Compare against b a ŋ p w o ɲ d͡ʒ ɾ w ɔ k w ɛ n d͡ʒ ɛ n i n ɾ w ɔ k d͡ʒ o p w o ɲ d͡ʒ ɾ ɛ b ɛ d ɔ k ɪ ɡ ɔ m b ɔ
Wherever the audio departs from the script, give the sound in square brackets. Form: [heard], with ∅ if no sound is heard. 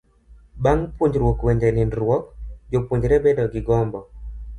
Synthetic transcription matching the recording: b a ŋ p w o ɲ d͡ʒ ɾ w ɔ k w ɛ [ɲ] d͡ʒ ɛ n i n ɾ w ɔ k d͡ʒ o p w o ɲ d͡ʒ ɾ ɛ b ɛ d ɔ [ɡ] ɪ ɡ ɔ m b ɔ